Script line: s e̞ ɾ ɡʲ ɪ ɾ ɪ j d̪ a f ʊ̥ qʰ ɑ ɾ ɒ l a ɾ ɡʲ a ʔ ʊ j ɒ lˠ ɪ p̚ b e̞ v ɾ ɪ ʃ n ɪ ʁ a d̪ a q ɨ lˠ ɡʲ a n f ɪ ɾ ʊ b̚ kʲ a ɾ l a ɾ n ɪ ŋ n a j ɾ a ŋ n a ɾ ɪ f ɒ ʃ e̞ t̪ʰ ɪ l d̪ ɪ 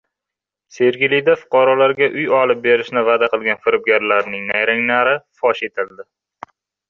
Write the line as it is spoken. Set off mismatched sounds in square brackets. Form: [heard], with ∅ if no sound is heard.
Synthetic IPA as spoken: s e̞ ɾ ɡʲ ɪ [l] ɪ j d̪ a f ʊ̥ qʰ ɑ ɾ ɒ l a ɾ ɡʲ a ʔ ʊ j ɒ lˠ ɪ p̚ b e̞ [∅] ɾ ɪ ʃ n ɪ [v] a d̪ a q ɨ lˠ ɡʲ a n f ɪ ɾ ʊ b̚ [ɡʲ] a ɾ l a ɾ n ɪ ŋ n a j ɾ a ŋ n a ɾ ɪ f ɒ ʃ e̞ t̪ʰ ɪ l d̪ ɪ